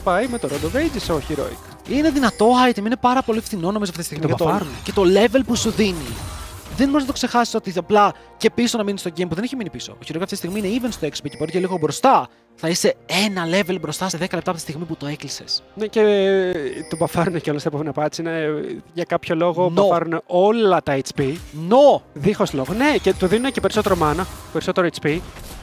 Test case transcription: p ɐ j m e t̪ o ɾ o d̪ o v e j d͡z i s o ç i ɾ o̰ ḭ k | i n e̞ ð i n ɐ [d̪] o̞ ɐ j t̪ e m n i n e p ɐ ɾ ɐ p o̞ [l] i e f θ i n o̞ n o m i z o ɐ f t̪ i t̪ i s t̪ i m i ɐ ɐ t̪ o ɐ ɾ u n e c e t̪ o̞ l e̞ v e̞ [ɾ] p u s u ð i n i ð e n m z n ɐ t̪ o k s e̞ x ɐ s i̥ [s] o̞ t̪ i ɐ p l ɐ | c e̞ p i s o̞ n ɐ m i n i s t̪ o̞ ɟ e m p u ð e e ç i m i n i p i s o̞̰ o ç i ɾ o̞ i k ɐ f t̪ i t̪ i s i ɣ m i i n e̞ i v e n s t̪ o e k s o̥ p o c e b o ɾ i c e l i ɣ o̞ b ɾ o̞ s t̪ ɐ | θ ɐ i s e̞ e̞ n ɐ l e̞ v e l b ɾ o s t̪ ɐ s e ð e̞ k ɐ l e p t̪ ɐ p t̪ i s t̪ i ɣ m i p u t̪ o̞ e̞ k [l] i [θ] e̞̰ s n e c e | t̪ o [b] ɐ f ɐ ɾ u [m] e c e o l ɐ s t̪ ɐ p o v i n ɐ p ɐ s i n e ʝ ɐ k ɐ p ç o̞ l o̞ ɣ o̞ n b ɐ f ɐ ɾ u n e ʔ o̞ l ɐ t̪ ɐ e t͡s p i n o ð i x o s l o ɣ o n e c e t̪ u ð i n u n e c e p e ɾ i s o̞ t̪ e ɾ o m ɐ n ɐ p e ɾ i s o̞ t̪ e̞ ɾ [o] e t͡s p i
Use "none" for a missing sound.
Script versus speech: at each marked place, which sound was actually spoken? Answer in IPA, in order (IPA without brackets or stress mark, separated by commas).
t̪, l, l, s, l, s, b, n, o